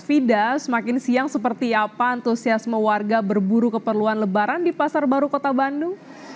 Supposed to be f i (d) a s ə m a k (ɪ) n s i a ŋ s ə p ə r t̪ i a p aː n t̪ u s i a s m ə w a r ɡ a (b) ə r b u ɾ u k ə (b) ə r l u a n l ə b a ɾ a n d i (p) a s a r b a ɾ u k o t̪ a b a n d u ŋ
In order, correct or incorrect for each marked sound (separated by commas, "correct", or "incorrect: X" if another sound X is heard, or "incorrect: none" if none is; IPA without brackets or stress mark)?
correct, correct, correct, incorrect: p, correct